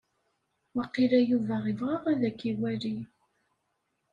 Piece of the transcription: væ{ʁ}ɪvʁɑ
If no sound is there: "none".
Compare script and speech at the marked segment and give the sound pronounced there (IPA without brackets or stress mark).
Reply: ʁ